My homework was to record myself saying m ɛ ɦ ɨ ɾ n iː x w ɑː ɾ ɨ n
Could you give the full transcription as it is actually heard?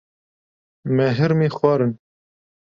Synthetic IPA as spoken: m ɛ ɦ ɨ ɾ m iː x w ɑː ɾ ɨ n